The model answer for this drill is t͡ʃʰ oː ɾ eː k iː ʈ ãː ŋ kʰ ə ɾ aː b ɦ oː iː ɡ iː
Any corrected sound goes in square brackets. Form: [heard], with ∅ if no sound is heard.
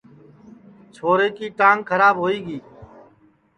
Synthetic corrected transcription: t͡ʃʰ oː ɾ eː k iː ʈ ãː ŋ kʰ ə ɾ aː b ɦ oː iː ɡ iː